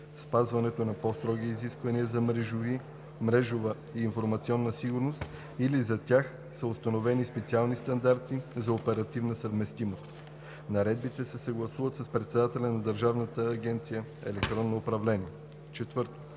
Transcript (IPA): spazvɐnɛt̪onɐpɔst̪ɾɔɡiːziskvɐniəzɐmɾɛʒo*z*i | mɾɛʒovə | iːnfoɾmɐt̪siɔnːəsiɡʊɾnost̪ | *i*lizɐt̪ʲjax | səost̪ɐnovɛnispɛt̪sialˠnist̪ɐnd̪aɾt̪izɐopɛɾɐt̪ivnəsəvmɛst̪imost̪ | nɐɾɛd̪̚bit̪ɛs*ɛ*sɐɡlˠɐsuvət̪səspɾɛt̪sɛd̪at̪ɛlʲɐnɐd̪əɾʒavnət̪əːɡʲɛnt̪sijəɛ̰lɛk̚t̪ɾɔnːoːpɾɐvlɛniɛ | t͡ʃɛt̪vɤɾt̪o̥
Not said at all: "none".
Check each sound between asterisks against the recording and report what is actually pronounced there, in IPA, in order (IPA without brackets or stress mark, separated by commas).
v, i, ɛ